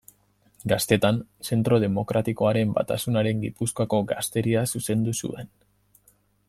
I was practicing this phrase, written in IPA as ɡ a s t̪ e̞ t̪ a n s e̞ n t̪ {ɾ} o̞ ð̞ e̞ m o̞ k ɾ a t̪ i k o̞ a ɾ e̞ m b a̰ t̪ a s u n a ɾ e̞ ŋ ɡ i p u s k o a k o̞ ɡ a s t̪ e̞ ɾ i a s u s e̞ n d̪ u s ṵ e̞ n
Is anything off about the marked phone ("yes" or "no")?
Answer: no